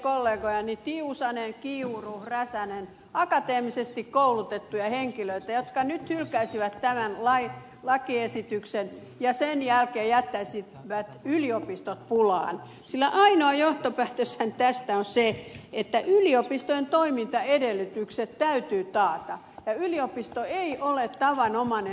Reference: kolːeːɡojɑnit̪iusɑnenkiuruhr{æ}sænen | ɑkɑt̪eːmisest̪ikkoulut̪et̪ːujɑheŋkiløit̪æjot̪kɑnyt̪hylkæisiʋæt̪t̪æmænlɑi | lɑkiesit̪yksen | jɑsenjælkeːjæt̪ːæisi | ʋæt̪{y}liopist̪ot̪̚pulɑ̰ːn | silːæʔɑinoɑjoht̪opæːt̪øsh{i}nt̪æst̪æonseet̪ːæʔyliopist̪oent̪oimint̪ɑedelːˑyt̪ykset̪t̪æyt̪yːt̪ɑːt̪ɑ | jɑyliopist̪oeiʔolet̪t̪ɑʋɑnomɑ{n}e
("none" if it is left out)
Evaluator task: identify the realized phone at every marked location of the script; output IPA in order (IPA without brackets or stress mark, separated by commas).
æ, y, æ, n